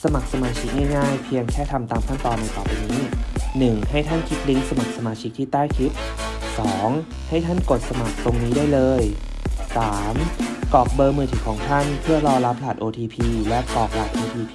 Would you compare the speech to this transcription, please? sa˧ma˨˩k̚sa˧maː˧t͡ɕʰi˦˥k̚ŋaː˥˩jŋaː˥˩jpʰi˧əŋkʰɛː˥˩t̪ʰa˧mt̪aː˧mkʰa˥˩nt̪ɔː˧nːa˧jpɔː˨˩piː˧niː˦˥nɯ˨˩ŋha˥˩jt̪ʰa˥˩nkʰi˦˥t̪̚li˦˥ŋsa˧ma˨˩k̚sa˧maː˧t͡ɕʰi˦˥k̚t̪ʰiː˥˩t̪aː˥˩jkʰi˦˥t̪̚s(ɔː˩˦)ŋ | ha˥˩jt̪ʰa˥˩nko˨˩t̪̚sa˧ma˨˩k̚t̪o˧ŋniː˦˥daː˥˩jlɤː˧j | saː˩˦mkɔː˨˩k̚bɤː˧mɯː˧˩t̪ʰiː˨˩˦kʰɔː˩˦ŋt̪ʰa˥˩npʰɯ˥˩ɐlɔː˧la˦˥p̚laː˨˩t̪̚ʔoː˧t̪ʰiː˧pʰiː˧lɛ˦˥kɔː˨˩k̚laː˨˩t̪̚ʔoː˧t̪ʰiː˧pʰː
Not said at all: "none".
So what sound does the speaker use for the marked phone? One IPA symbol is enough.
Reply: ɔː˩˦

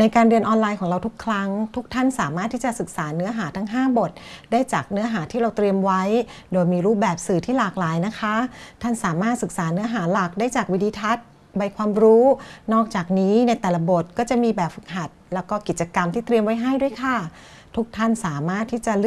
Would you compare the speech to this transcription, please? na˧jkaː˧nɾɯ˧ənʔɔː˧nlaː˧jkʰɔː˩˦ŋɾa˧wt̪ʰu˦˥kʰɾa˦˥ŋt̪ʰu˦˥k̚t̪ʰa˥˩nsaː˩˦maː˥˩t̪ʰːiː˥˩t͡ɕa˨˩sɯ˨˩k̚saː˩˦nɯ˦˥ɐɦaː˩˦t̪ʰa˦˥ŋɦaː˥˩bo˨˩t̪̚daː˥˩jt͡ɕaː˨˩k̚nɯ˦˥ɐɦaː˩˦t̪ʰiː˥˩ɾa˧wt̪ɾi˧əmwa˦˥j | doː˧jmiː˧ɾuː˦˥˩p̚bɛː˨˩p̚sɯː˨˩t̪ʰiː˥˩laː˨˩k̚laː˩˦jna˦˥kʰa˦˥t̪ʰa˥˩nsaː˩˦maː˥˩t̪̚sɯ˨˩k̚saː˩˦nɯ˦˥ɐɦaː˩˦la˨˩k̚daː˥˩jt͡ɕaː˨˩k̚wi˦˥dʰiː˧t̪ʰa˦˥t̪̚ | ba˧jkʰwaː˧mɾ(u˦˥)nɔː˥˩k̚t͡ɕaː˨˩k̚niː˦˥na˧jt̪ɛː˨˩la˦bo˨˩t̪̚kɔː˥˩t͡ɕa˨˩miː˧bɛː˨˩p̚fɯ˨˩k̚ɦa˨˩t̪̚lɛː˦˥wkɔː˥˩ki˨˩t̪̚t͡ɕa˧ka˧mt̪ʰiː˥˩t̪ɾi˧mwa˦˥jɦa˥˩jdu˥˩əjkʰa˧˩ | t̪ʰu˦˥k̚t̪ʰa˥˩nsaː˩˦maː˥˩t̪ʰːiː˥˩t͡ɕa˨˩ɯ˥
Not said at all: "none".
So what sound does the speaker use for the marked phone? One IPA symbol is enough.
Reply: uː˦˥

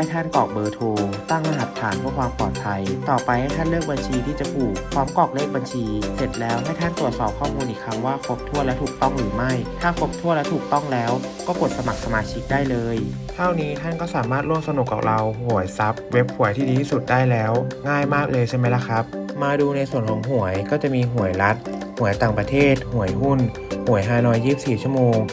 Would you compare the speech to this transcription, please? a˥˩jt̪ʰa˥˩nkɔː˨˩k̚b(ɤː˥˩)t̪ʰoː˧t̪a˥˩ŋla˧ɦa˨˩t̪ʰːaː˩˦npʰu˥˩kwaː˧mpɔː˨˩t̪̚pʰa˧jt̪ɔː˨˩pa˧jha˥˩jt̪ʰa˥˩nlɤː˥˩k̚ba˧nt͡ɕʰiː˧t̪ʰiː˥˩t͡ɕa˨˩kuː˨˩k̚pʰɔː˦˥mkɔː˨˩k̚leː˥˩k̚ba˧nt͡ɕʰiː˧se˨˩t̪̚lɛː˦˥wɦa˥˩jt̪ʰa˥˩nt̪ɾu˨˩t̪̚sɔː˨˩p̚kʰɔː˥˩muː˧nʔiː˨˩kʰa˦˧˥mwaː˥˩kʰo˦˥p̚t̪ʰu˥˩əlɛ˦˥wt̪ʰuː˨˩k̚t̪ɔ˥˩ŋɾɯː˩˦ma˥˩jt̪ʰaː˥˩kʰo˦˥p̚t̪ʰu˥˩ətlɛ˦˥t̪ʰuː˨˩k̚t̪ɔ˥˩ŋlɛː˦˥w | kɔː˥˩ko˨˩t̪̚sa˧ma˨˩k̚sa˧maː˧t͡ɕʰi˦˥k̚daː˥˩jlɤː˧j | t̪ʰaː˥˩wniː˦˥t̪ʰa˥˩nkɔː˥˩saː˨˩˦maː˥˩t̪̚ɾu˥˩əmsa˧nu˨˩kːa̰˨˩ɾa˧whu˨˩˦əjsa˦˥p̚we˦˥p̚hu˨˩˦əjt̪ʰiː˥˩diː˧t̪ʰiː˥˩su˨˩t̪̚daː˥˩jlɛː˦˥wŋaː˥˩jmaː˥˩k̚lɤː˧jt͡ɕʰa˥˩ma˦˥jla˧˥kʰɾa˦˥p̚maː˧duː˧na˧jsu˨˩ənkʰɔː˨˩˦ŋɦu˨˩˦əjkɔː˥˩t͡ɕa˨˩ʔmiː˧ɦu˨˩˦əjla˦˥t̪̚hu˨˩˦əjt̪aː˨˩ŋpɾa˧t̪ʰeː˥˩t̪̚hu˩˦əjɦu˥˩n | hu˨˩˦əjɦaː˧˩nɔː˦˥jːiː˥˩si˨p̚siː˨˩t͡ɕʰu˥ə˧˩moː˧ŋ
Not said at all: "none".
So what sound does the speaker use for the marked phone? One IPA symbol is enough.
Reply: ɤː˧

